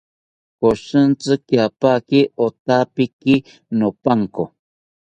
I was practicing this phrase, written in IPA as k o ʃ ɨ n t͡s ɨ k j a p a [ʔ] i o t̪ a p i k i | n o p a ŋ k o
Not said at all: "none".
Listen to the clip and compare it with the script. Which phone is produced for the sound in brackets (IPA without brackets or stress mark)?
k